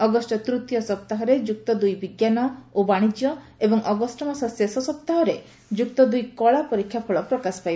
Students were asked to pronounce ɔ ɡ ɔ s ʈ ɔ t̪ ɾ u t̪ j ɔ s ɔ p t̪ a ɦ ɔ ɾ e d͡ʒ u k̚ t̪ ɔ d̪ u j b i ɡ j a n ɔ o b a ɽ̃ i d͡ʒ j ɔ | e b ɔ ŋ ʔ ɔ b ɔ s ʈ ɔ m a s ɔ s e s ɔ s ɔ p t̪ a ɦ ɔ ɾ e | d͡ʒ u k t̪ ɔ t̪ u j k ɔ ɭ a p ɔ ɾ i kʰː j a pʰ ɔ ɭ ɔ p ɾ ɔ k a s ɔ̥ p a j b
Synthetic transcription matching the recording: ɔ ɡ ɔ s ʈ ɔ t̪ ɾ u t̪ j ɔ s ɔ p t̪ a ɦ ɔ ɾ e d͡ʒ u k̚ t̪ ɔ d̪ u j b i ɡ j a n ɔ o b a ɽ̃ i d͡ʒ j ɔ | e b ɔ ŋ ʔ ɔ ɡ ɔ s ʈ ɔ m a s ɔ s e s ɔ s ɔ p t̪ a ɦ ɔ ɾ e | d͡ʒ u k t̪ ɔ d̪ u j k ɔ ɭ a p ɔ ɾ i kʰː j a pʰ ɔ ɭ ɔ p ɾ ɔ k a s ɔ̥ p a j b